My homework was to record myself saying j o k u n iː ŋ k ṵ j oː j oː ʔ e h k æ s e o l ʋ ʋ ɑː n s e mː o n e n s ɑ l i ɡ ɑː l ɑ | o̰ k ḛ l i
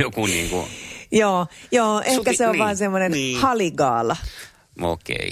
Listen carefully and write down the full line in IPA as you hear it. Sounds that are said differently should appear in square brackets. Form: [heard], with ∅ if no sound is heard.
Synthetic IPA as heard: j o k u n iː ŋ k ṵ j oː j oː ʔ e h k æ s e o [∅] ʋ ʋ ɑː n s e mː o n e n [h] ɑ l i ɡ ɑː l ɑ | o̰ k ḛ [∅] i